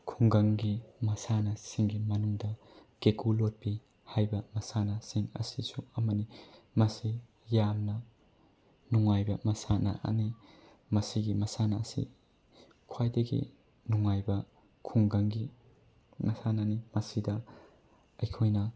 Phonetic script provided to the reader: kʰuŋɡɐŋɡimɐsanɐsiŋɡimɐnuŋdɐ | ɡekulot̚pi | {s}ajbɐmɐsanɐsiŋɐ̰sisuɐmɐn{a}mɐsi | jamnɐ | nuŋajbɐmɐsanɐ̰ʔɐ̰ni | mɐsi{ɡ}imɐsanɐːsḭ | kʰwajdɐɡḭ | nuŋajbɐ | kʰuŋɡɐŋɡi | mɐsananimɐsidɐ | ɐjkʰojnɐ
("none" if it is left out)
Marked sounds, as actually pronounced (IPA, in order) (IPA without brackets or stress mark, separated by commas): h, i, ɡ